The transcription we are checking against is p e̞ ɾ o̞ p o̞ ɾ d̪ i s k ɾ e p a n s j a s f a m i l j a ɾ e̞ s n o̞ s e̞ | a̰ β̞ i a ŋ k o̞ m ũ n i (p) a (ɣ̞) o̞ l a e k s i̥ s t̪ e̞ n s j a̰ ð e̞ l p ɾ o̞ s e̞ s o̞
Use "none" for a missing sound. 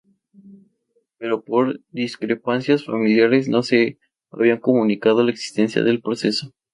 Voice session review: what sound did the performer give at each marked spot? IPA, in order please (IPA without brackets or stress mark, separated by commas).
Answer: k, ð̞